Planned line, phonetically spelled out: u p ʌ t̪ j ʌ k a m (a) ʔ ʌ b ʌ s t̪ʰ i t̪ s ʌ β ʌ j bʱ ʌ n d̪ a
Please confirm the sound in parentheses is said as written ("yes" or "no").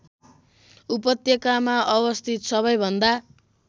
yes